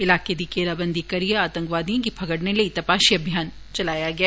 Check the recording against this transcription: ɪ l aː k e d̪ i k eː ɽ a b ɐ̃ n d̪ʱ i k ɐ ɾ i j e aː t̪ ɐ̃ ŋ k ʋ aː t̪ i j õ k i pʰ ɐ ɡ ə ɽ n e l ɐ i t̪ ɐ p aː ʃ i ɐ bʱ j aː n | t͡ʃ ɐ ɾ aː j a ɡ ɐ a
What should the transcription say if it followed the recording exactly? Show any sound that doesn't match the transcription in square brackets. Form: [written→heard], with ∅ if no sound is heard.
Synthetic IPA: ɪ l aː k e d̪ i k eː [ɽ→ɾ] a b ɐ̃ n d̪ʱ i k ɐ ɾ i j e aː t̪ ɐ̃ ŋ k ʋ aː [t̪→d̪] i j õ k i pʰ ɐ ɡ ə ɽ n e l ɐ i t̪ ɐ p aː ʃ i ɐ bʱ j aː n | t͡ʃ ɐ [ɾ→l] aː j a ɡ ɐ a